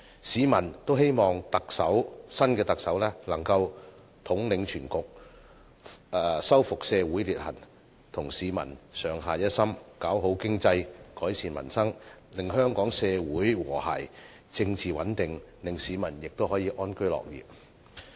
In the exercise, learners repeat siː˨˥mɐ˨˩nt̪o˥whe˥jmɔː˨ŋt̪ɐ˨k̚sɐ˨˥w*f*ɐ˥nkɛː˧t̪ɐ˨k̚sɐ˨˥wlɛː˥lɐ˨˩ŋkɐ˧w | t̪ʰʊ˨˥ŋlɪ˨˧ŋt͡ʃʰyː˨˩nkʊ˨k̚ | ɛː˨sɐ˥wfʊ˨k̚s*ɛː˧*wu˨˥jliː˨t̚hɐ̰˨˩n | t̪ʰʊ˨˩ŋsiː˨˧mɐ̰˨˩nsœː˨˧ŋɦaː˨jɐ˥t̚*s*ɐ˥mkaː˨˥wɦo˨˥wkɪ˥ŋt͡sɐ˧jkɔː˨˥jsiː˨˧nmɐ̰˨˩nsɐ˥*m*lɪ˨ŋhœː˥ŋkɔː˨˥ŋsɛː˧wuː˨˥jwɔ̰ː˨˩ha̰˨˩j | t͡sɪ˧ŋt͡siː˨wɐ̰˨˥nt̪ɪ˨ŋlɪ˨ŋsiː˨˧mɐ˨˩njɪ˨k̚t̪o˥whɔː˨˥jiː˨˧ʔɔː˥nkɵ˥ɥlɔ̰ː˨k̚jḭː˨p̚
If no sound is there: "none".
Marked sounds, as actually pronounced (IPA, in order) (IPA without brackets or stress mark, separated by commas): s, ɛː˧, s, ŋ